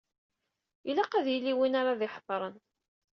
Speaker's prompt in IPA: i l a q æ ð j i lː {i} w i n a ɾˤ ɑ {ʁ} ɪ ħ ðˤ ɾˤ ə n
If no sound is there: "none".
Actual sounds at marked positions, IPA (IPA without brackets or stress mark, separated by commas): i, ð